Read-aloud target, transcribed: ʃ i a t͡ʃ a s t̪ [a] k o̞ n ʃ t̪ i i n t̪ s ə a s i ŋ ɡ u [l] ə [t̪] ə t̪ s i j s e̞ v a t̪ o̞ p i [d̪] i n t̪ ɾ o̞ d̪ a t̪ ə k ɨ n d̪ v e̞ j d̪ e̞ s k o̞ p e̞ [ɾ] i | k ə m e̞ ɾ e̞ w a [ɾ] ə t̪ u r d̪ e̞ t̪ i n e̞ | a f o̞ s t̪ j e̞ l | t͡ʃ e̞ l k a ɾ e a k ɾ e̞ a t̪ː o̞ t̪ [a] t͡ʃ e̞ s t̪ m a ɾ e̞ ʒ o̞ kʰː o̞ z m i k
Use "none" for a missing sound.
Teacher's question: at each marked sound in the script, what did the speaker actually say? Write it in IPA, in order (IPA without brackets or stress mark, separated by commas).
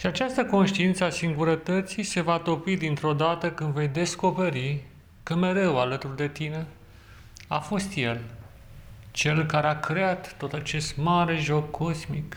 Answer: ə, ɾ, t̪, d̪, ɾ, l, a